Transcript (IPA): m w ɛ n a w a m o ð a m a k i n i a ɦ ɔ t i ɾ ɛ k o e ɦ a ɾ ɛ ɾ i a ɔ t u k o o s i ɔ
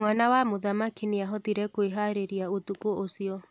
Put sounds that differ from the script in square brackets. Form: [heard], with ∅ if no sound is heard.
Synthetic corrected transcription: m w [a] n a w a m o ð a m a k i n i a ɦ ɔ t i ɾ ɛ k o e ɦ a ɾ [e] ɾ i a [o] t u k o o s i ɔ